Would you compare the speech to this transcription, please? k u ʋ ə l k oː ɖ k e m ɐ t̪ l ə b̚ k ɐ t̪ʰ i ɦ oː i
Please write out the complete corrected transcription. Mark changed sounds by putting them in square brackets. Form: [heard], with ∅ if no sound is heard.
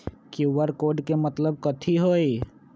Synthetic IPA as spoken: k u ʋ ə [ɾ] k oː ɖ k e m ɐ t̪ l ə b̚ k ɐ t̪ʰ i ɦ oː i